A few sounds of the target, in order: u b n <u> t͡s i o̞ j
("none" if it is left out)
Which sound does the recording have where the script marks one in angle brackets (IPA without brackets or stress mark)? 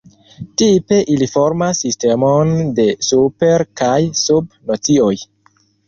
o